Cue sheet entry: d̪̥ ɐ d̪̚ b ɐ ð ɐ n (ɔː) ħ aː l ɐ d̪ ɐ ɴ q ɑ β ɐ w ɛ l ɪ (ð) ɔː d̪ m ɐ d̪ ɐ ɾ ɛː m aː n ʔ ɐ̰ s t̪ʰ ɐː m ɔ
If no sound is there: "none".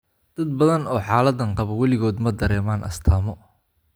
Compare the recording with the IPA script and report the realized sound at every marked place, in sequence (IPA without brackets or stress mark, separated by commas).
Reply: ɔː, ɣ